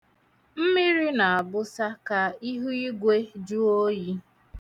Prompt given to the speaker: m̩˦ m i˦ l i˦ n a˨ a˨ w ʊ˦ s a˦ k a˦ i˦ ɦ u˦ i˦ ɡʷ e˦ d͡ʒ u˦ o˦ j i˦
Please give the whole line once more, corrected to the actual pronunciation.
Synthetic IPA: m̩˦ m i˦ ɾ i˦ n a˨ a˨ b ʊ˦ s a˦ k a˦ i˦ ɦ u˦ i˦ ɡʷ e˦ d͡ʒ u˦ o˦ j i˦